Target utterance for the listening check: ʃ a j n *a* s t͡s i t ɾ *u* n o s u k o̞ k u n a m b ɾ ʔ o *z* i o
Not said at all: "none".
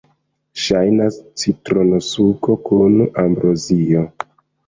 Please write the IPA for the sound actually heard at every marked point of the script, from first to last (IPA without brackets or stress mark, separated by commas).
a, o, z